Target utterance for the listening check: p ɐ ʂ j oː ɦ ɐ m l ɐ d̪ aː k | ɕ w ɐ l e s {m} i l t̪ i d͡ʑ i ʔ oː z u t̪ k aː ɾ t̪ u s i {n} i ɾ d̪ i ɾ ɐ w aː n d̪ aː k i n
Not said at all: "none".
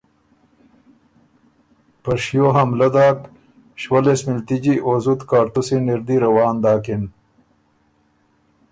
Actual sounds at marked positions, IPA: m, n

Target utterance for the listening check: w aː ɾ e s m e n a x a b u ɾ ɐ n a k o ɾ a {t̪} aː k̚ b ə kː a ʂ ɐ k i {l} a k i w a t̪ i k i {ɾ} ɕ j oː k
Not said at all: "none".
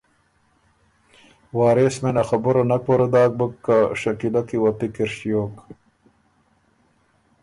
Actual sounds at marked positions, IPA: d̪, l, ɾ

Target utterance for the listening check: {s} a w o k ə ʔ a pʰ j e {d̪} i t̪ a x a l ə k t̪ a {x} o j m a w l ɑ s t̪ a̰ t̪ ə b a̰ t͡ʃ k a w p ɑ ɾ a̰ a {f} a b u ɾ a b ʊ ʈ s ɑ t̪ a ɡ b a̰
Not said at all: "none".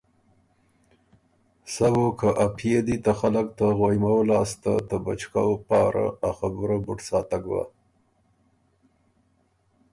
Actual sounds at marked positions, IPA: s, d̪, ɣ, x

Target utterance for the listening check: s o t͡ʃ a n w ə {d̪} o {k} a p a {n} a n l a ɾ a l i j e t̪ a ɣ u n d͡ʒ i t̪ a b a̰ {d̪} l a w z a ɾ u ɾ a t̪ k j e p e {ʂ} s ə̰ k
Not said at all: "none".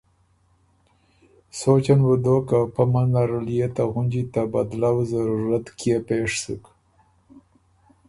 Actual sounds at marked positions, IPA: d̪, k, m, d̪, ʂ

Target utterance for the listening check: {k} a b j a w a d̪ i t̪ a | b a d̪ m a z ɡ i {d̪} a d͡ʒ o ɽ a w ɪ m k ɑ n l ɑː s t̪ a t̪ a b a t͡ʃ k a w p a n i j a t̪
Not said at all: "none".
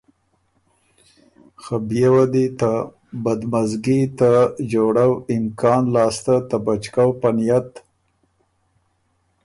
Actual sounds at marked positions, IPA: x, t̪

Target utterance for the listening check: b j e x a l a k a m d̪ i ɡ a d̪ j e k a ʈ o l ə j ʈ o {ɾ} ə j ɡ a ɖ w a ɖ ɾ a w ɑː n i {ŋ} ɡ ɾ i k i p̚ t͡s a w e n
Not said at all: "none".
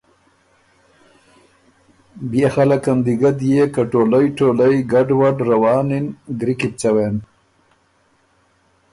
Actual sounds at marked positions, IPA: l, n

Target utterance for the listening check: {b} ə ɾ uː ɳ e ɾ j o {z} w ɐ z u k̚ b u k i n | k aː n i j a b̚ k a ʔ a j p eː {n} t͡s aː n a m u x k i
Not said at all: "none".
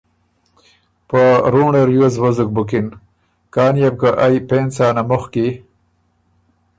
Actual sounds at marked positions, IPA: p, z, n

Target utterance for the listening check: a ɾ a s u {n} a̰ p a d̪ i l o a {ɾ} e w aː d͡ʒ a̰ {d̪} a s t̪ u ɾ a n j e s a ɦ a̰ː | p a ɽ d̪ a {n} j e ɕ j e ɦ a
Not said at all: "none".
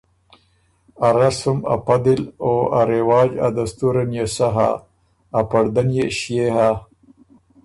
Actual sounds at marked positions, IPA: m, ɾ, d̪, n

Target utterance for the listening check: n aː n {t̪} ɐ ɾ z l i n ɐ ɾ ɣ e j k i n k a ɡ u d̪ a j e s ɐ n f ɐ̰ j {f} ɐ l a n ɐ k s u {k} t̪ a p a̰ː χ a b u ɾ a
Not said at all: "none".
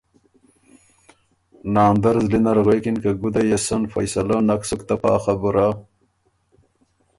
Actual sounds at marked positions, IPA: d̪, s, k

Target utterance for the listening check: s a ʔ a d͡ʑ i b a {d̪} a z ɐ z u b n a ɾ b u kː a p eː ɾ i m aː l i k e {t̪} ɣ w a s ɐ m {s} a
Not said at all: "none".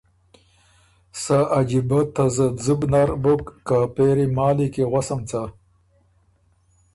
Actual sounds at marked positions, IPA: t̪, none, t͡s

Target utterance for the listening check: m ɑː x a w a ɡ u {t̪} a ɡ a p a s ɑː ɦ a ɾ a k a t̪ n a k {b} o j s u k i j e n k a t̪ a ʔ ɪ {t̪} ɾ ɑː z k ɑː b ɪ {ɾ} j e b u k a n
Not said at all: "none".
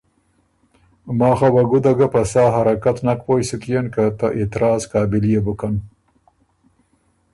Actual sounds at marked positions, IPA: d̪, p, t̪, l

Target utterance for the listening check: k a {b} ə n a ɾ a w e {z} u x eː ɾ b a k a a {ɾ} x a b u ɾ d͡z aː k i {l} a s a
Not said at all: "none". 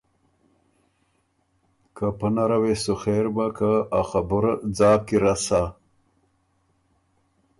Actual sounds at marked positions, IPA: p, s, none, ɾ

